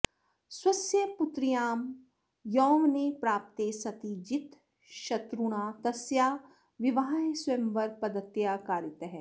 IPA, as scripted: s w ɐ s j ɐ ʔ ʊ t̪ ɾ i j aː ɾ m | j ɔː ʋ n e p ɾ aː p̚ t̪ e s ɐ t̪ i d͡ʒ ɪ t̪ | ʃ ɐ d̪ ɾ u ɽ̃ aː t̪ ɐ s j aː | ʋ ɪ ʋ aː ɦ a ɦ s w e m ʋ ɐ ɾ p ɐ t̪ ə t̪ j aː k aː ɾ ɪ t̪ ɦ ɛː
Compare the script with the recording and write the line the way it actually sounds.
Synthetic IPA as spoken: s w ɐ s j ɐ p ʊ t̪ ɾ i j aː m | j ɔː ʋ n e p ɾ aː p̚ t̪ e s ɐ t̪ i d͡ʒ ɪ t̪ | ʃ ɐ t̪ ɾ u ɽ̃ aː t̪ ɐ s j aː | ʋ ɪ ʋ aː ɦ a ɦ s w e m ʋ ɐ ɾ p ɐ d̪ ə t̪ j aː k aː ɾ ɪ t̪ ɦ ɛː

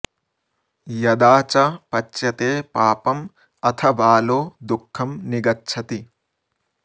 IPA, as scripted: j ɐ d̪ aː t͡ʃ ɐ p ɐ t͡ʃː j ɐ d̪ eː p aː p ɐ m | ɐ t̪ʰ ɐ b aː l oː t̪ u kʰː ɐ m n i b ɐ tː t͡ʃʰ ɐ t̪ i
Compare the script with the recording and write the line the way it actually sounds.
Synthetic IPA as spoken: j ɐ d̪ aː t͡ʃ ɐ p ɐ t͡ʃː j ɐ t̪ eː p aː p ɐ m | ɐ t̪ʰ ɐ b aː l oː d̪ u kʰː ɐ m n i ɡ ɐ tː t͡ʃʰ ɐ t̪ i

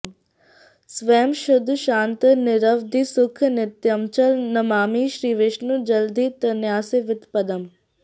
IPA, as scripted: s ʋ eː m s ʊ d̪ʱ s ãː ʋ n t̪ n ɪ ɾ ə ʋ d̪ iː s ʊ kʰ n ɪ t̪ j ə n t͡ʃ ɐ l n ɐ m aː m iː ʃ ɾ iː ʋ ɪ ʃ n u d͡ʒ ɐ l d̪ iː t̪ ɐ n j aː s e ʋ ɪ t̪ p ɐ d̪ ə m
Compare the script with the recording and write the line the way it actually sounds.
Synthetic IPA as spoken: s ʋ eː m ʃ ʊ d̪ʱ ʃ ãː n t̪ n ɪ ɾ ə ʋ d̪ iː s ʊ kʰ n ɪ t̪ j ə m t͡ʃ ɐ l n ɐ m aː m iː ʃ ɾ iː ʋ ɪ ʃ n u d͡ʒ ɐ l d̪ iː t̪ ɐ n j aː s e ʋ ɪ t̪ p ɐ d̪ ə m

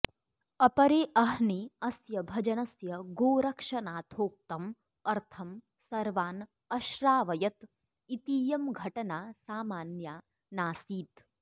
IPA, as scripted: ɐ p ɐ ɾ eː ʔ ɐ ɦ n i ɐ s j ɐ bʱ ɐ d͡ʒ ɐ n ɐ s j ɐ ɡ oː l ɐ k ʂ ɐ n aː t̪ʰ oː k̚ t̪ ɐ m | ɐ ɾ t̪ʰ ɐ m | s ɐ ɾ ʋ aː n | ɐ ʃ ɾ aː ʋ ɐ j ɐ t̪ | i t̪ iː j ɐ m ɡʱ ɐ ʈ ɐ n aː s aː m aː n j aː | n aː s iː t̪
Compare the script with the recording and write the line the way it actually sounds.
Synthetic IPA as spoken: ɐ p ɐ ɾ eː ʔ ɐ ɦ n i ɐ s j ɐ bʱ ɐ d͡ʒ ɐ n ɐ s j ɐ ɡ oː ɾ ɐ k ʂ ɐ n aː t̪ʰ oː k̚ t̪ ɐ m | ɐ ɾ t̪ʰ ɐ m | s ɐ ɾ ʋ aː n | ɐ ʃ ɾ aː ʋ ɐ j ɐ t̪ | i t̪ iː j ɐ m ɡʱ ɐ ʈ ɐ n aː s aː m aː n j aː | n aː s iː t̪

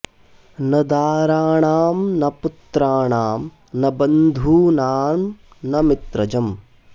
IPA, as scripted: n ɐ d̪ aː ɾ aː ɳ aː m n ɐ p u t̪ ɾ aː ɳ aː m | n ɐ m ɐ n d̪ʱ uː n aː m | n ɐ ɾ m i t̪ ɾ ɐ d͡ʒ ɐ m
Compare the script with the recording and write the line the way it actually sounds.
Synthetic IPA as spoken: n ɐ d̪ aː ɾ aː ɳ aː m n ɐ p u t̪ ɾ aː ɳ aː m | n ɐ b ɐ n d̪ʱ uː n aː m | n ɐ m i t̪ ɾ ɐ d͡ʒ ɐ m

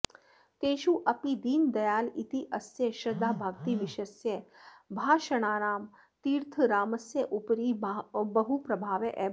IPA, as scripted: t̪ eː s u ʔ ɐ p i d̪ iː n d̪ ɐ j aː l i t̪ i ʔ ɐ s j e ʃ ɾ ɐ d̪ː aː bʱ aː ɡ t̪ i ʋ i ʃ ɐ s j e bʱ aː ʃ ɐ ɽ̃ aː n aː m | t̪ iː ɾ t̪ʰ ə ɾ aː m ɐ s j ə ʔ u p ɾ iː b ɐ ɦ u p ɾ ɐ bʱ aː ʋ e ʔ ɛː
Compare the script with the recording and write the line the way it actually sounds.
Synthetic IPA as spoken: t̪ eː ʃ u ʔ ɐ p i d̪ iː n d̪ ɐ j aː l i t̪ i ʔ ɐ s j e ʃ ɾ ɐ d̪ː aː bʱ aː ɡ t̪ i ʋ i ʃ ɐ s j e bʱ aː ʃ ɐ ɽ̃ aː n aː m | t̪ iː ɾ t̪ʰ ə ɾ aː m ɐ s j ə ʔ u p ɾ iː b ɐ ɦ u p ɾ ɐ bʱ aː ʋ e ʔ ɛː

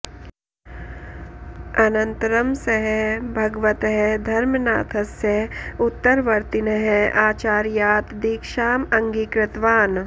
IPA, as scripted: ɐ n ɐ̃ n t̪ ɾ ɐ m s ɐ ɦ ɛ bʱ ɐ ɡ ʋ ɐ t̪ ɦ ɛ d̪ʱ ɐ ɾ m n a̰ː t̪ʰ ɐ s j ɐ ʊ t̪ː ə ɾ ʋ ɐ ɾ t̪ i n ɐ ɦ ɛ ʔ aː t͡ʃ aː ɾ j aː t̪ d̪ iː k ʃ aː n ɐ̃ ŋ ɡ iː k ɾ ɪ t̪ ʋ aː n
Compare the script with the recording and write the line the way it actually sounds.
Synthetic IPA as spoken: ɐ n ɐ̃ n t̪ ɾ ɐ m s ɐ ɦ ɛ bʱ ɐ ɡ ʋ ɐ t̪ ɦ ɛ d̪ʱ ɐ ɾ m n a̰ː t̪ʰ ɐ s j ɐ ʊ t̪ː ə ɾ ʋ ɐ ɾ t̪ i n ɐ ɦ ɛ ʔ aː t͡ʃ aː ɾ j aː t̪ d̪ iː k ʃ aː m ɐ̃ ŋ ɡ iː k ɾ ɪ t̪ ʋ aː n

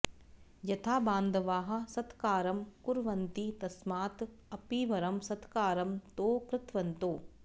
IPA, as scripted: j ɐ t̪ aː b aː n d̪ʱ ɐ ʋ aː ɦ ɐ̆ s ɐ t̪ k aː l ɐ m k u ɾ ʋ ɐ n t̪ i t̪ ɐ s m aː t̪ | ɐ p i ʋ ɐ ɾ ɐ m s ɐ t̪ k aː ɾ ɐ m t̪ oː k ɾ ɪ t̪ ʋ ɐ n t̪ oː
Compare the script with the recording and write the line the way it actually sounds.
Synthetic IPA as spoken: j ɐ t̪ʰ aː b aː n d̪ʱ ɐ ʋ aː ɦ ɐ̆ s ɐ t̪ k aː ɾ ɐ m k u ɾ ʋ ɐ n t̪ i t̪ ɐ s m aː t̪ | ɐ p i ʋ ɐ ɾ ɐ m s ɐ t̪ k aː ɾ ɐ m t̪ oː k ɾ ɪ t̪ ʋ ɐ n t̪ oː

